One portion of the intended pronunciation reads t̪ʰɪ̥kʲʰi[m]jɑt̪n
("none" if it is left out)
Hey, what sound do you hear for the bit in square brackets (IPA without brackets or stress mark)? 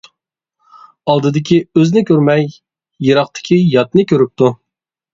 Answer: none